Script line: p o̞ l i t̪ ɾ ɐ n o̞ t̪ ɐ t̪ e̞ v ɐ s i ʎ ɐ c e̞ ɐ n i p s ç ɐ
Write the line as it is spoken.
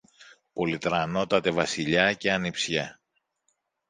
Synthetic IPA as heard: p o̞ l i t̪ ɾ ɐ n o̞ t̪ ɐ t̪ e̞ v ɐ s i ʎ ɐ c e̞ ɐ n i p s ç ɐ